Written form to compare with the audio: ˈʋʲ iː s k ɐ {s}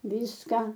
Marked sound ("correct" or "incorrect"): incorrect